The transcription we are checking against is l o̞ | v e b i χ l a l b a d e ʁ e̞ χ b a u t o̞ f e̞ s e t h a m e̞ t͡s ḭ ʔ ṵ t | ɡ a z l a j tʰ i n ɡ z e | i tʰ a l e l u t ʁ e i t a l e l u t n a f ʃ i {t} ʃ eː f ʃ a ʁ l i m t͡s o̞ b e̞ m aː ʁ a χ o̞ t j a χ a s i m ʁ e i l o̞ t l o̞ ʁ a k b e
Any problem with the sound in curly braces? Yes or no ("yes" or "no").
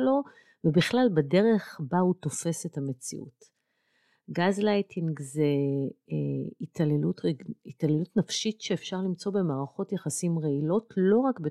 no